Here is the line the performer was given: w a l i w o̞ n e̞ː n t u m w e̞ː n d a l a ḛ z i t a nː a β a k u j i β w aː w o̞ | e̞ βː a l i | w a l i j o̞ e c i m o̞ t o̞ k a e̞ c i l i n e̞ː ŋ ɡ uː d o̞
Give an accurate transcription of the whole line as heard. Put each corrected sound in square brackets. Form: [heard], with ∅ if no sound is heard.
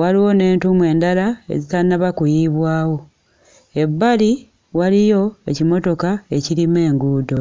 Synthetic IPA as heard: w a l i w o̞ n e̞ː n t u m w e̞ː n d a l a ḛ z i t a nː a β a k u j i β w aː w o̞ | e̞ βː a l i | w a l i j o̞ e c i m o̞ t o̞ k a e̞ c i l i [m] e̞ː ŋ ɡ uː d o̞